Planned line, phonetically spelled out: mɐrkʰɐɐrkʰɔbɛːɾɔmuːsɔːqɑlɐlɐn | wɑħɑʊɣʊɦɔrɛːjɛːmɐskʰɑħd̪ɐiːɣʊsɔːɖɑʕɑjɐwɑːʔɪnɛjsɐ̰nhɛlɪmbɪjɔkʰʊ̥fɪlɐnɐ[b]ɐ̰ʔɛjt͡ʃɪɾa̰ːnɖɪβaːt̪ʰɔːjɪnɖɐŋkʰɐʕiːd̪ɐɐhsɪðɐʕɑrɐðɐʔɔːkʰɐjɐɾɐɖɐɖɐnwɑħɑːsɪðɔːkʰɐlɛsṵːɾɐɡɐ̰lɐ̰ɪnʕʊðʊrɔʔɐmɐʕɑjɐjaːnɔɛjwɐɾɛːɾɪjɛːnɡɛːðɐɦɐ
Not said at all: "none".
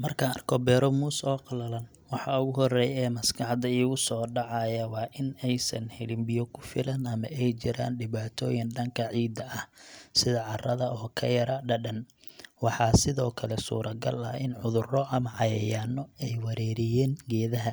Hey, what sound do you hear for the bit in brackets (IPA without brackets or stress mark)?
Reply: m